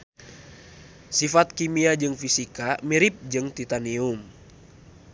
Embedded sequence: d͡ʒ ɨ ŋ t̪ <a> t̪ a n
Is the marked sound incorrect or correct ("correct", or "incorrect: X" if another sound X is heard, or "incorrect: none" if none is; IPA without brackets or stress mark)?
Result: incorrect: i